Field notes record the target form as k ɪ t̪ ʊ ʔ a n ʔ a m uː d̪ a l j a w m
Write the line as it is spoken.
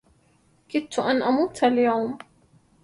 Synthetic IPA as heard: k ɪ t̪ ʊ ʔ a n ʔ a m uː t̪ a l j a w m